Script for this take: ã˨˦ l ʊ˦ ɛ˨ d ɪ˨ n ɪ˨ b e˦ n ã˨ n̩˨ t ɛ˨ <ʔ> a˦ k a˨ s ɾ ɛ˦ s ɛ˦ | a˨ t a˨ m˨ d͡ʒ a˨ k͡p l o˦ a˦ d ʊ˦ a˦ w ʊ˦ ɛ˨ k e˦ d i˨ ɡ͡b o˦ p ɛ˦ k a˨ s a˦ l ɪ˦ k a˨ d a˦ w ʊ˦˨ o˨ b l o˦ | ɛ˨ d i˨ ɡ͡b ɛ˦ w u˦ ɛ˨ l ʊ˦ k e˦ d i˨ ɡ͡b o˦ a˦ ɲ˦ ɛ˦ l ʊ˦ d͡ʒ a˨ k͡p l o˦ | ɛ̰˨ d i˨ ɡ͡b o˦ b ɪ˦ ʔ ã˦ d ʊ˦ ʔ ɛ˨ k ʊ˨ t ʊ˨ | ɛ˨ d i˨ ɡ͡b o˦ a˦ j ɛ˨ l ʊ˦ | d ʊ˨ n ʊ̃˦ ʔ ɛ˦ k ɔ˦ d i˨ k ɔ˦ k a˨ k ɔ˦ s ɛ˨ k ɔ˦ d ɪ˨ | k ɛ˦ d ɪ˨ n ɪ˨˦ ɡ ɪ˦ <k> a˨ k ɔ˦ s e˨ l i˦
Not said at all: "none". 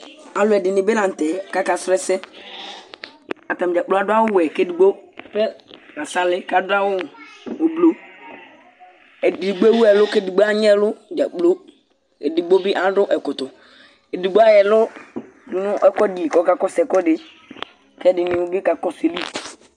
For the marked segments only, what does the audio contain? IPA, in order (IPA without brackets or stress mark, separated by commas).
k, k